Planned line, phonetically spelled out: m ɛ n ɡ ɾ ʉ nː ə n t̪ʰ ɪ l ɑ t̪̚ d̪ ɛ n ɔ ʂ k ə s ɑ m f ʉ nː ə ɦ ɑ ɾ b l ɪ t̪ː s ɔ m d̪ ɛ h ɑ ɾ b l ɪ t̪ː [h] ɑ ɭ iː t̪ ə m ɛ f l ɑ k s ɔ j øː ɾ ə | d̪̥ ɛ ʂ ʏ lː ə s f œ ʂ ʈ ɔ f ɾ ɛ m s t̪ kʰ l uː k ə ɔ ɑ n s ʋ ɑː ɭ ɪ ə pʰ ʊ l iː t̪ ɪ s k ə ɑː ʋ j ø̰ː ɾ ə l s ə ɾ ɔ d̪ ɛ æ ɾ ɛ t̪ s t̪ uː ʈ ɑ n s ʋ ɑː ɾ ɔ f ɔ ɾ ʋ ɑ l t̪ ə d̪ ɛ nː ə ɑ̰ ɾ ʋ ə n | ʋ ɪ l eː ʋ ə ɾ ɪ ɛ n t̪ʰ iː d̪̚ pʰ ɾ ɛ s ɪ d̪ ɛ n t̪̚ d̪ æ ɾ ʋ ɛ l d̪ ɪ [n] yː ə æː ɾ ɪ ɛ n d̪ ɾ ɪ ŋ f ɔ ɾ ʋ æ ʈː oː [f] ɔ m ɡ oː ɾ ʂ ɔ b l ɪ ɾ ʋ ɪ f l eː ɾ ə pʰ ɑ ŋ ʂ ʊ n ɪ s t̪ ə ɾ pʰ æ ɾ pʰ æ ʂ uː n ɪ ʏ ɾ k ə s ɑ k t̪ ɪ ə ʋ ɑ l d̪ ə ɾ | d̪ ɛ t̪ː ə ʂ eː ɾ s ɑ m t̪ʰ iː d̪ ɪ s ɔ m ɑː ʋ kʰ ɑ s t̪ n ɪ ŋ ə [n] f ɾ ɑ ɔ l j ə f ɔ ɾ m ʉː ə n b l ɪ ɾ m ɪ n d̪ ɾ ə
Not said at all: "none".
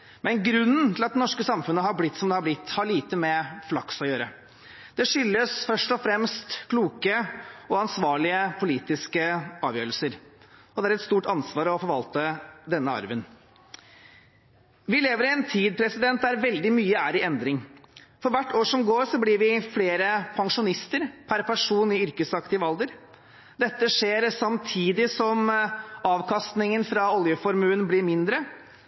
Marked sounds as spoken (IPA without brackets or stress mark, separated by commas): h, m, ʂ, n